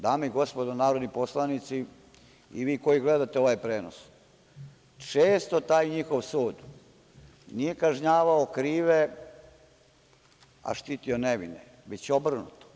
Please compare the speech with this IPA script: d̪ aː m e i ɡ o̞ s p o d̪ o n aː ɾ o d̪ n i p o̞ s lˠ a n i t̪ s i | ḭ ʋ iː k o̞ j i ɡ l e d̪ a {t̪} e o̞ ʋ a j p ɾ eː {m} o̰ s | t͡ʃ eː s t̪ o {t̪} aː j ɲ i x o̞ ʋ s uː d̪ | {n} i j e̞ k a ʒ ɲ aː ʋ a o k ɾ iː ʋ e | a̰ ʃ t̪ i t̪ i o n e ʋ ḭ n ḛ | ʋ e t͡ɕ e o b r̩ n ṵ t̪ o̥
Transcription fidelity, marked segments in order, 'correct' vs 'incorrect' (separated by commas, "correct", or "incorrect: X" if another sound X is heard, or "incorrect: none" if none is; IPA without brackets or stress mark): correct, incorrect: n, correct, correct